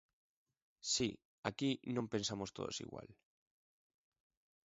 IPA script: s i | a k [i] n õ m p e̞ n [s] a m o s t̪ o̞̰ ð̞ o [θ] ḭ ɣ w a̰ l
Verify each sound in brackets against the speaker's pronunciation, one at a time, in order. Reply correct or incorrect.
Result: correct, correct, incorrect: s

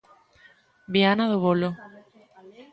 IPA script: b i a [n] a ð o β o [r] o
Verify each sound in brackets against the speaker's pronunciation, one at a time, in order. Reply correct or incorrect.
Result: correct, incorrect: l

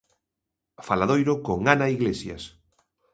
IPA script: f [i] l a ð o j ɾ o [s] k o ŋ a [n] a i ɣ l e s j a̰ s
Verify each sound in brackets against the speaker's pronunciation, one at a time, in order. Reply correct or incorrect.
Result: incorrect: a, incorrect: none, correct

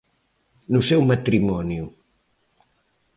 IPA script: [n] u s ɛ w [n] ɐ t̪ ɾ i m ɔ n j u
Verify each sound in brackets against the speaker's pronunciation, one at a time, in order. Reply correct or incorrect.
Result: correct, incorrect: m

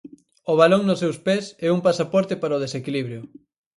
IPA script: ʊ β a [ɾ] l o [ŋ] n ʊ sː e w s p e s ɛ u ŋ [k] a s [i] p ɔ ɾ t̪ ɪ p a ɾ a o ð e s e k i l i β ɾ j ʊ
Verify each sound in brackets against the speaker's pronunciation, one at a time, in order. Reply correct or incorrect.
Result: incorrect: none, correct, incorrect: p, incorrect: a

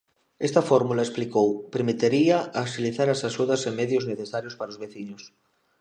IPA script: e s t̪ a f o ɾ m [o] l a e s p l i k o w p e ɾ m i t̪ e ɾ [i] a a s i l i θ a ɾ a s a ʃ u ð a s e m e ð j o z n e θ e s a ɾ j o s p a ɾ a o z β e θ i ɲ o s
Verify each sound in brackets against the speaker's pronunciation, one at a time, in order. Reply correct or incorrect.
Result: incorrect: u, correct

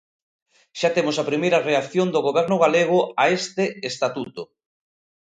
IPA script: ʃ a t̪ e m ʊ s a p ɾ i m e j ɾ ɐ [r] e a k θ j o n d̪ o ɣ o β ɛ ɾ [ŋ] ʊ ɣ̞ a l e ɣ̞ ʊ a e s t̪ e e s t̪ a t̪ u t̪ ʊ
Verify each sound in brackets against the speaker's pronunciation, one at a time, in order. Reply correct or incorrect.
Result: correct, incorrect: n

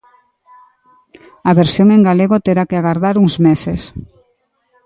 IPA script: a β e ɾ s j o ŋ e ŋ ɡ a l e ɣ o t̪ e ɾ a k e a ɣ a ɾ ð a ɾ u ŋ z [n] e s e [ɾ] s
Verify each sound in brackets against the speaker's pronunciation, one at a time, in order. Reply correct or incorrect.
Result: incorrect: m, incorrect: none

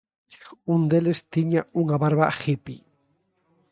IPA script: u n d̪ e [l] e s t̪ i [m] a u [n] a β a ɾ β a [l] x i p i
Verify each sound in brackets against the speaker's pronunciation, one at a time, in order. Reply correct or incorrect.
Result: correct, incorrect: ɲ, incorrect: ŋ, incorrect: none

